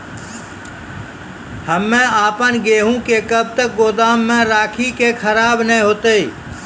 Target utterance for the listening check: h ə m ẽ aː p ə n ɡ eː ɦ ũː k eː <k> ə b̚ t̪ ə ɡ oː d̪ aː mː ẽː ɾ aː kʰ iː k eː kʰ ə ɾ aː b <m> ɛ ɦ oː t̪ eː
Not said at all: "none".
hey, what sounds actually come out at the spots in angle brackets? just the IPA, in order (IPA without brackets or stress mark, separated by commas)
k, n